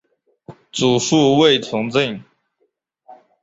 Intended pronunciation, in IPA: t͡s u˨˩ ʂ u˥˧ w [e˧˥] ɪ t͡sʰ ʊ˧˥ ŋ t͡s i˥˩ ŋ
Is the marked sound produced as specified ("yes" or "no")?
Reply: no